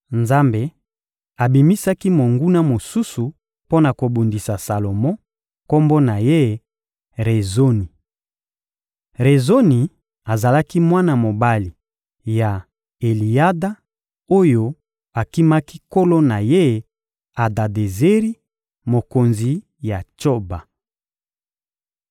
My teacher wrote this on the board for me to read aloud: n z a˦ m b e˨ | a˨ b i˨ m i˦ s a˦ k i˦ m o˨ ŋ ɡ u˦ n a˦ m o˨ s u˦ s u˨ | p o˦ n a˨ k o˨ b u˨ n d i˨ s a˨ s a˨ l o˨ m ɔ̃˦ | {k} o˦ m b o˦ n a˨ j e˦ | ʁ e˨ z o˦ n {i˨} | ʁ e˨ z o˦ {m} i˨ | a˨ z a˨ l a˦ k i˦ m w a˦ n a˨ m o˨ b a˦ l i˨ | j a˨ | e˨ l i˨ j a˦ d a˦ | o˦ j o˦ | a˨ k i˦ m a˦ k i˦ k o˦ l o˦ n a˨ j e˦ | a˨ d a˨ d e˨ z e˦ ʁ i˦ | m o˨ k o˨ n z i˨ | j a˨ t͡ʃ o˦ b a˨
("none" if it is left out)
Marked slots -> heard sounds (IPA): k, i˨, n

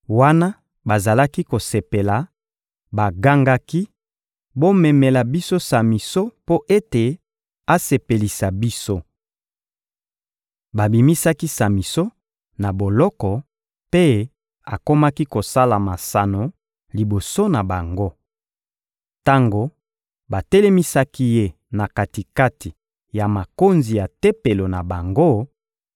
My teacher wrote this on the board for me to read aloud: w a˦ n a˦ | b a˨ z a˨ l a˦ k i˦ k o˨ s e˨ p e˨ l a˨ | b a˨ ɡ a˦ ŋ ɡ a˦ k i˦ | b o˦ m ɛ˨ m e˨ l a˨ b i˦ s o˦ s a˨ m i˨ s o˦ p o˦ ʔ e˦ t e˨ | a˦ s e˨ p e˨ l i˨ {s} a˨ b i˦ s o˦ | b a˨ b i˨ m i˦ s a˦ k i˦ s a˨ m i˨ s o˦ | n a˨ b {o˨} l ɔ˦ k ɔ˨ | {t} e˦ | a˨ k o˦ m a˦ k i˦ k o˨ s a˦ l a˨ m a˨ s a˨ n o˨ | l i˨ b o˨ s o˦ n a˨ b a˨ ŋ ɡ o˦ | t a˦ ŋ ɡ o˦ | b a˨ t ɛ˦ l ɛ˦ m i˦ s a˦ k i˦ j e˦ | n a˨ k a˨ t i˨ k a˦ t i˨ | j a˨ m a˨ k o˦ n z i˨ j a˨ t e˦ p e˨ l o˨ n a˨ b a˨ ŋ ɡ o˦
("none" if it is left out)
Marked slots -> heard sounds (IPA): s, o˨, p

